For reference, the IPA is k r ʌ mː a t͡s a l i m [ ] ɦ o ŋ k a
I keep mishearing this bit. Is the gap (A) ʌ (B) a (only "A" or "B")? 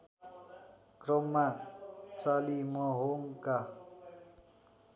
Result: A